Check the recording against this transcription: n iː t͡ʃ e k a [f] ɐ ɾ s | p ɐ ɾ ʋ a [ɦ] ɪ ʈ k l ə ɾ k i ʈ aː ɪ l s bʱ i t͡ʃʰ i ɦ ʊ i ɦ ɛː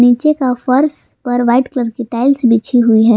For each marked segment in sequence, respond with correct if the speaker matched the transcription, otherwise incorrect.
correct, incorrect: none

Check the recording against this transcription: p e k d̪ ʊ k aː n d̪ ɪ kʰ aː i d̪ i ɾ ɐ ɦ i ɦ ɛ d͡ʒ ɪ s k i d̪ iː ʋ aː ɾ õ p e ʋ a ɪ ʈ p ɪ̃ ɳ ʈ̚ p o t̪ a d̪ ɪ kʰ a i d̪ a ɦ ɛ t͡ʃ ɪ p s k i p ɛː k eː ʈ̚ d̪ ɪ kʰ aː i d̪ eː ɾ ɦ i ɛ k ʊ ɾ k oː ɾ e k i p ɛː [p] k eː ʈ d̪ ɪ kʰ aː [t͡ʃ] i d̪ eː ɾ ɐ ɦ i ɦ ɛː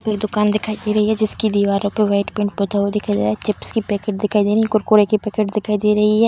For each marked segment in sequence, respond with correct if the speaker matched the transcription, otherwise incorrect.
incorrect: none, incorrect: none

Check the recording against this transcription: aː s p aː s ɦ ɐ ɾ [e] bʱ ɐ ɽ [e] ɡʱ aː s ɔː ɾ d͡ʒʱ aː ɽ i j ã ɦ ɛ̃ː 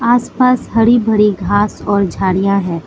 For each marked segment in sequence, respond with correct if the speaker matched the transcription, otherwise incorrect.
incorrect: i, incorrect: i

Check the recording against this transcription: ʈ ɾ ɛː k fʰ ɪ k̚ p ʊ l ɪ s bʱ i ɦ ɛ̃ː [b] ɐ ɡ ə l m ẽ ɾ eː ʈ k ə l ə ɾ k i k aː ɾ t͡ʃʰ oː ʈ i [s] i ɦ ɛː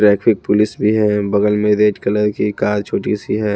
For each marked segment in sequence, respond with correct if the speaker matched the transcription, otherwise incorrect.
correct, correct

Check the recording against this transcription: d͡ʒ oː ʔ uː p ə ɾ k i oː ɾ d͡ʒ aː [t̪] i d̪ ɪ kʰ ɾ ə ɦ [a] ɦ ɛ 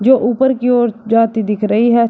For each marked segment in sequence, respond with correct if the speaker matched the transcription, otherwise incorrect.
correct, incorrect: i

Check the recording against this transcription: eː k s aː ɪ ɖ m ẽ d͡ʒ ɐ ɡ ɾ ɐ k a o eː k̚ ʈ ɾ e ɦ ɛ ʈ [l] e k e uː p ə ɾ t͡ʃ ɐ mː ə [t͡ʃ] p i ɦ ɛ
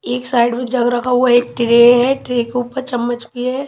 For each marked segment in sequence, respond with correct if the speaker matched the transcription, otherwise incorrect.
incorrect: ɾ, correct

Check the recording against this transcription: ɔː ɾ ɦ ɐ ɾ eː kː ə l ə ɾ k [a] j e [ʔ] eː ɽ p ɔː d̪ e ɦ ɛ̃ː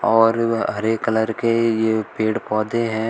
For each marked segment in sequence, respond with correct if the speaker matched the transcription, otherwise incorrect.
incorrect: e, incorrect: p

